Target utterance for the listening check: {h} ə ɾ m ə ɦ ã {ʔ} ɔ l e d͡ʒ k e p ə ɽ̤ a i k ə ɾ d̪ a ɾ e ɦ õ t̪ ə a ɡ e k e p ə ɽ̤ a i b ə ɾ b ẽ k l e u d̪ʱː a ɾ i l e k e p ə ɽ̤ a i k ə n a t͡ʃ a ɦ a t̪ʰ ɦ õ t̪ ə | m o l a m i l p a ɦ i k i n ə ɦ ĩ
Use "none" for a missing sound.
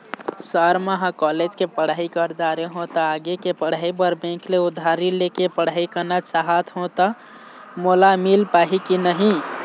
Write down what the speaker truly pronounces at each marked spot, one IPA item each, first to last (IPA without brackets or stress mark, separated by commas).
s, k